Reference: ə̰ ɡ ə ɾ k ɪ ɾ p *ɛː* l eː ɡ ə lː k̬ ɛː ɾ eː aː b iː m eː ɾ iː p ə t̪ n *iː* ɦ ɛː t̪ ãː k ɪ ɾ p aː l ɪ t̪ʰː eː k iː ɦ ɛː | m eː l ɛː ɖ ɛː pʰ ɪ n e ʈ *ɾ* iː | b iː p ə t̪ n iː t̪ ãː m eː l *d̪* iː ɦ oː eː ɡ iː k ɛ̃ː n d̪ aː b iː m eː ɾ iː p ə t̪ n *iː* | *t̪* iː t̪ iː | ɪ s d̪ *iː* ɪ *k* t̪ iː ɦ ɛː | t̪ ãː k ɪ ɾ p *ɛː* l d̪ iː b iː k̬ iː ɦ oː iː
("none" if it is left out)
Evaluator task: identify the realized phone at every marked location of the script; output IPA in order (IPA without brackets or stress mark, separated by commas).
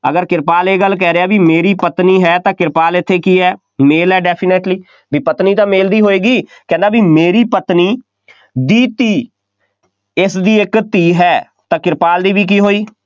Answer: aː, iː, l, d̪, iː, d̪, iː, k, aː